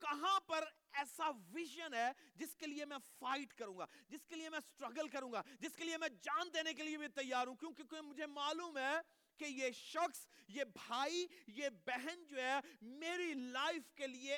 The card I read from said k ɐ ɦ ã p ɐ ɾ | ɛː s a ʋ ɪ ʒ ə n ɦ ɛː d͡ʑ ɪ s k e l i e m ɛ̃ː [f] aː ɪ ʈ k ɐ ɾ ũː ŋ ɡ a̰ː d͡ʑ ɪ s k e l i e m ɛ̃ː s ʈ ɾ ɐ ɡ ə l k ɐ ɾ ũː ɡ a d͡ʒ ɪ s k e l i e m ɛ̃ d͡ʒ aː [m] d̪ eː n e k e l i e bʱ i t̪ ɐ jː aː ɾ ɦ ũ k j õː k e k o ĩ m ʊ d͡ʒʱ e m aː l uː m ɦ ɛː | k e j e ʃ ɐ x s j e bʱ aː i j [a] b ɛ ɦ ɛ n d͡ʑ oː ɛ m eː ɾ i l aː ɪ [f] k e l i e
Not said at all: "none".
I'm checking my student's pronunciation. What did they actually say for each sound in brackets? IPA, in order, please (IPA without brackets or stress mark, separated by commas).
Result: f, n, e, f